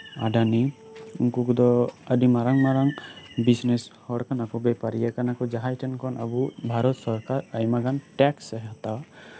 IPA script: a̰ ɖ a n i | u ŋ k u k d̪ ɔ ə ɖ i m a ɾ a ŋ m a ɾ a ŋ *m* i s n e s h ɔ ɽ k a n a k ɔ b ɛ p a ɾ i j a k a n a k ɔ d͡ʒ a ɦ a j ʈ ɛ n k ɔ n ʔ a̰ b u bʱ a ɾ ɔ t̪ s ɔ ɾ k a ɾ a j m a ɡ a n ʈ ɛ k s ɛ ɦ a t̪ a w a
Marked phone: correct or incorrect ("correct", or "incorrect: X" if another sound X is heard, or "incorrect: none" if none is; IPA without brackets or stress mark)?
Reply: incorrect: b